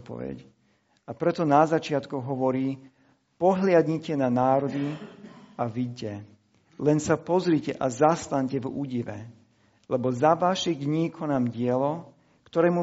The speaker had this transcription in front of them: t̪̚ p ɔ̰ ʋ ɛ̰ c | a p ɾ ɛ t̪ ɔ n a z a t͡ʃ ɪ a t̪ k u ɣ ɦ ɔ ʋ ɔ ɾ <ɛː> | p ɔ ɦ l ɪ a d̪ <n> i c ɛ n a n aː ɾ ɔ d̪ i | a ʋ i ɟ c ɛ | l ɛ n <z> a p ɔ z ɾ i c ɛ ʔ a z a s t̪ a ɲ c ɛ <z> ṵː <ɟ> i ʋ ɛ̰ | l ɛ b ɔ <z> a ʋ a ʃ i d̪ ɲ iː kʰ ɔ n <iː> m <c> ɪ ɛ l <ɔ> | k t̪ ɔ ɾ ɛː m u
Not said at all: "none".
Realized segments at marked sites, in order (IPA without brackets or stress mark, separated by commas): iː, ɲ, s, v, ɟ, z, aː, ɟ, ɔ